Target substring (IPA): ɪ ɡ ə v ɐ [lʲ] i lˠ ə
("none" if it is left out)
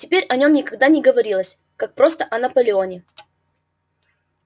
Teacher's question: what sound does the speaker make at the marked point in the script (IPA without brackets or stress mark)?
ɾʲ